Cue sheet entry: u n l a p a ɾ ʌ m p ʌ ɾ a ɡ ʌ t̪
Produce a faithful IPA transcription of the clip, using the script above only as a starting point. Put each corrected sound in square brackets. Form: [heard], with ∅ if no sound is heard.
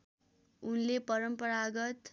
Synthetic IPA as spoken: u n l [e] p [ʌ] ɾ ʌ m p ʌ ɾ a ɡ ʌ t̪